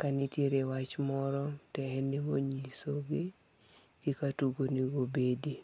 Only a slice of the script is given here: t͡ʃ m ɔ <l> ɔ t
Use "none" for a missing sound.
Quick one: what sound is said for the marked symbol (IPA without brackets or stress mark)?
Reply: ɾ